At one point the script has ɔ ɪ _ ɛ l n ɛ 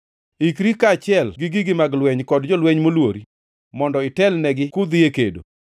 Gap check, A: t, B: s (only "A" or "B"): A